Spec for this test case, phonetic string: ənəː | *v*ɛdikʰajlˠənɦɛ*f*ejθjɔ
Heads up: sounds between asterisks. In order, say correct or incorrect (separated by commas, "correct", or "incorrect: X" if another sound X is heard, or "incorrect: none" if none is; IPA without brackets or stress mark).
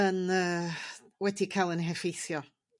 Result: incorrect: w, correct